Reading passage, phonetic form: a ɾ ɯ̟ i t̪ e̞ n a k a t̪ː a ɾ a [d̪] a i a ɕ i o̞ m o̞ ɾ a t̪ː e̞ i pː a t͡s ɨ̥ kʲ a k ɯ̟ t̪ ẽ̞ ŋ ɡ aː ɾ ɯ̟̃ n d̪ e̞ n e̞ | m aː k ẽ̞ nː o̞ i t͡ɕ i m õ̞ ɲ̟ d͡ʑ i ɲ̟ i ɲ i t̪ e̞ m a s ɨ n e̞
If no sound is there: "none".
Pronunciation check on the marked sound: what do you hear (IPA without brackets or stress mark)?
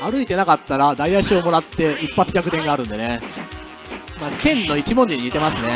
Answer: d̪